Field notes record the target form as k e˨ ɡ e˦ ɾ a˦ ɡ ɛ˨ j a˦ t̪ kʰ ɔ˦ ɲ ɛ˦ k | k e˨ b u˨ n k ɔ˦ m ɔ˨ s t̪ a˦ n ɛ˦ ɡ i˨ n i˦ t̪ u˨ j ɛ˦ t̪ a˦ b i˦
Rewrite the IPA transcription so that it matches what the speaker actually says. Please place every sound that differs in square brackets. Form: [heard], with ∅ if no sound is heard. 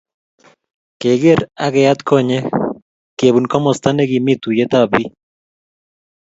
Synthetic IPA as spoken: k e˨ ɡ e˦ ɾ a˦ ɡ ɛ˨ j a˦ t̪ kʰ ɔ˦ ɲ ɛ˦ [∅] | k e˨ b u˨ n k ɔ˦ m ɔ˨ s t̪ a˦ n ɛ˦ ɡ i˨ [m] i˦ t̪ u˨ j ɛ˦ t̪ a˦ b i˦